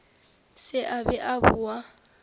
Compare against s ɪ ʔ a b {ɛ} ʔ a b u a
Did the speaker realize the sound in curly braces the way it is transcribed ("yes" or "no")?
yes